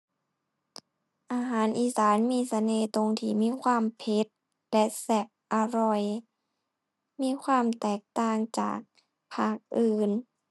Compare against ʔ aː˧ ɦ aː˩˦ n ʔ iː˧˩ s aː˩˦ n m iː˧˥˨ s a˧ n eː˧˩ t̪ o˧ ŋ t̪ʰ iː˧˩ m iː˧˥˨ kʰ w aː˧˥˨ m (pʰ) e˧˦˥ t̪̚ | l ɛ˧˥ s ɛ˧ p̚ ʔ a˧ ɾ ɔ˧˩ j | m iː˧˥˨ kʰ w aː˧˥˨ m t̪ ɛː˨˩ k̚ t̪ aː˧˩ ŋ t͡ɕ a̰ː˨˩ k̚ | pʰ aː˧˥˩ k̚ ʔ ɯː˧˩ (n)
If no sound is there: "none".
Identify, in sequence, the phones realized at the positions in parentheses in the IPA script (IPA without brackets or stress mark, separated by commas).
pʰ, n